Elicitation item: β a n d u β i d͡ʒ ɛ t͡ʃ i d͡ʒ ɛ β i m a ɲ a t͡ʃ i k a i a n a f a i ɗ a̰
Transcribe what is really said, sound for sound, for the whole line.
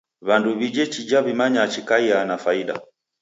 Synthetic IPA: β a n d u β i d͡ʒ ɛ t͡ʃ i d͡ʒ a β i m a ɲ a t͡ʃ i k a i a n a f a i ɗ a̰